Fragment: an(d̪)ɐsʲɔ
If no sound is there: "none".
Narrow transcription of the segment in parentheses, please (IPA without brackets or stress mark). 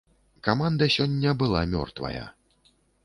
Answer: d̪